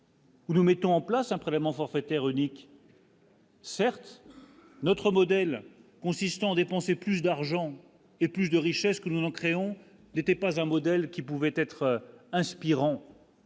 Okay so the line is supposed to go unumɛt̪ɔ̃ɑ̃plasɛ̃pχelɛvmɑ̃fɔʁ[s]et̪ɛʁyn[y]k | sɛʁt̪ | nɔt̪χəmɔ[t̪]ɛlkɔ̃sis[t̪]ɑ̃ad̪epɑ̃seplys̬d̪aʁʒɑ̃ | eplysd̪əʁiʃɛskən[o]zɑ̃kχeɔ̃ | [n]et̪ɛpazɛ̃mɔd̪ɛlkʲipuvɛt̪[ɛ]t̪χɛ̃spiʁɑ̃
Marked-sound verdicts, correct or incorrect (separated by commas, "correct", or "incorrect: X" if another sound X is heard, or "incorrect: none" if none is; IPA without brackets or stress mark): incorrect: f, incorrect: i, incorrect: d̪, correct, incorrect: u, correct, correct